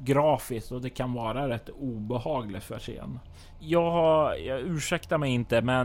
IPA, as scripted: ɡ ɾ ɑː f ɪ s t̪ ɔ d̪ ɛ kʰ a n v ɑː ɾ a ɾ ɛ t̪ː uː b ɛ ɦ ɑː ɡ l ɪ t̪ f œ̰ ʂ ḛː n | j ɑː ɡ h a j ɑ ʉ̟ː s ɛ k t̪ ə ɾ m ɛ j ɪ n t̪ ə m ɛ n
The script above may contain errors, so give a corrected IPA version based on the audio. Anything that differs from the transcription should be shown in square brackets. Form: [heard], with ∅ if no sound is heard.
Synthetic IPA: ɡ ɾ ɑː f ɪ s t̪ ɔ d̪ ɛ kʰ a n v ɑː ɾ a ɾ ɛ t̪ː uː b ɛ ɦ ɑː ɡ l ɪ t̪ f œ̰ ʂ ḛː n | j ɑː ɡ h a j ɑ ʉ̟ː [ʂ] ɛ k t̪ [a] ɾ m ɛ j ɪ n t̪ ə m ɛ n